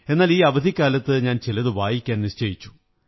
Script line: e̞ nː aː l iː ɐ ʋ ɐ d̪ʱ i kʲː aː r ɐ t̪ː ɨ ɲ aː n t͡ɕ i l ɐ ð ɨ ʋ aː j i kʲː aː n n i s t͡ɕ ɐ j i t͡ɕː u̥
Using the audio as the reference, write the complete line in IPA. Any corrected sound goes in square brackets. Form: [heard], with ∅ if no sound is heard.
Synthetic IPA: e̞ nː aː l iː ɐ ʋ ɐ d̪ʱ i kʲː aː [l] ɐ t̪ː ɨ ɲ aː n t͡ɕ i l ɐ ð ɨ ʋ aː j i kʲː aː n n i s t͡ɕ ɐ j i t͡ɕː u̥